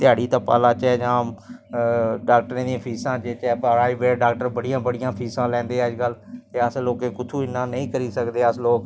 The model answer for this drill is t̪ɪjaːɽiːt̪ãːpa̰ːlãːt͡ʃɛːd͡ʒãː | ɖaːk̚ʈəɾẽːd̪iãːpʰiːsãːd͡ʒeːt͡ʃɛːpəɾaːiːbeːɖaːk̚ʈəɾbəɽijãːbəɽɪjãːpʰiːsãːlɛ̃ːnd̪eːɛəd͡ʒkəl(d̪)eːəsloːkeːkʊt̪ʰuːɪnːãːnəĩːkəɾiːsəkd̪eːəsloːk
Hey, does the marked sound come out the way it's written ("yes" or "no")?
no